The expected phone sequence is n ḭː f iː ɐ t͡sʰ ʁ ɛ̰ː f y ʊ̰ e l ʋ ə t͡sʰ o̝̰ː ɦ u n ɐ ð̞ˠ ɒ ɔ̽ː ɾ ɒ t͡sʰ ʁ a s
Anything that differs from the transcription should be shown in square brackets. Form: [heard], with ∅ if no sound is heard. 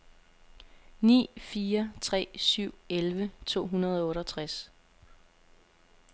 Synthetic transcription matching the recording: n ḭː f iː ɐ t͡sʰ ʁ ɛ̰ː [s] y ʊ̰ e l ʋ ə t͡sʰ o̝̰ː ɦ u n ɐ ð̞ˠ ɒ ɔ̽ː ɾ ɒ t͡sʰ ʁ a s